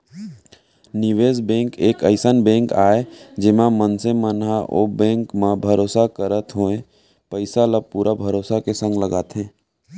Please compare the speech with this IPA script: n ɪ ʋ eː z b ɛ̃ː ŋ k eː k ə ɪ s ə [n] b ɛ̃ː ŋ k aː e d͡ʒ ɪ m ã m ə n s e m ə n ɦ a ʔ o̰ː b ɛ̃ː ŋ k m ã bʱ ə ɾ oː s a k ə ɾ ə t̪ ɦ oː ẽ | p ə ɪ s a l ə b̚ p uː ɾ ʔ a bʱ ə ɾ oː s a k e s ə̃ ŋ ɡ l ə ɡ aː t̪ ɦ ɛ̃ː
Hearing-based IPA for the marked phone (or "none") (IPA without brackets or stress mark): n